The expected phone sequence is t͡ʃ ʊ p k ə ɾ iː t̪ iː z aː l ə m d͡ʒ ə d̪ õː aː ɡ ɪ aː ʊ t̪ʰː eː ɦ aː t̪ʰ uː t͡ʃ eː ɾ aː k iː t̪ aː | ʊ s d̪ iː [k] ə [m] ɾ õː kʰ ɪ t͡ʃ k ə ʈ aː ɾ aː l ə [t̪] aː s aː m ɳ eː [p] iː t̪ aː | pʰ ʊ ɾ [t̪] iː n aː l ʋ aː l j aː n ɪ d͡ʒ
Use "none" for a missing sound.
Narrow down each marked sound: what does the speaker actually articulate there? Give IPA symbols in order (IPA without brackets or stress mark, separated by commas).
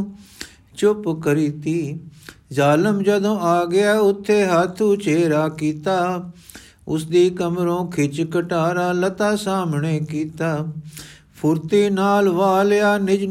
k, m, t̪, k, t̪